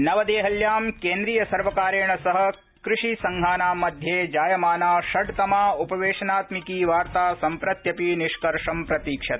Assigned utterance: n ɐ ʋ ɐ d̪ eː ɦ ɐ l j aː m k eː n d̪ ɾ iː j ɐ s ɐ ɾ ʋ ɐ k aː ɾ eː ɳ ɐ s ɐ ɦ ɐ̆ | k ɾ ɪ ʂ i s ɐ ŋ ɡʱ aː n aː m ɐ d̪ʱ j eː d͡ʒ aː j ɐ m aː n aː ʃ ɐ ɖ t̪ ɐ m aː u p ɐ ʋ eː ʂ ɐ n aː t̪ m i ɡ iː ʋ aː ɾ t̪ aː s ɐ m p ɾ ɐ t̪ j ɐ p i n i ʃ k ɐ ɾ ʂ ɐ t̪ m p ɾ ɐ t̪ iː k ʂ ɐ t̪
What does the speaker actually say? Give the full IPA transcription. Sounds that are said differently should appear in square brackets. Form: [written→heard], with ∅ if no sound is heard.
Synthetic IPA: n ɐ ʋ ɐ d̪ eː ɦ ɐ l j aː m k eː n d̪ ɾ iː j ɐ s ɐ ɾ ʋ ɐ k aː ɾ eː ɳ ɐ s ɐ ɦ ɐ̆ | k ɾ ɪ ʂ i s ɐ ŋ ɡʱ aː n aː m ɐ d̪ʱ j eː d͡ʒ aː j ɐ m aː n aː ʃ ɐ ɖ t̪ ɐ m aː u p ɐ ʋ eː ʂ ɐ n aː t̪ m i [ɡ→k] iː ʋ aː ɾ t̪ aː s ɐ m p ɾ ɐ t̪ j ɐ p i n i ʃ k ɐ ɾ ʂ ɐ [t̪→∅] m p ɾ ɐ t̪ iː k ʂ ɐ t̪